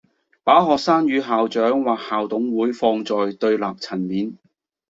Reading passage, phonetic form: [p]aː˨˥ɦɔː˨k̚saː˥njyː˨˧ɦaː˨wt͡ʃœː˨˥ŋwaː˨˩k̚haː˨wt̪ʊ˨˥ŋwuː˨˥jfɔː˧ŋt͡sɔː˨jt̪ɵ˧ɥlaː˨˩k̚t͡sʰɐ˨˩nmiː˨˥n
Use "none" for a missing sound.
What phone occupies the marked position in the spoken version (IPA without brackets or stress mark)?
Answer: p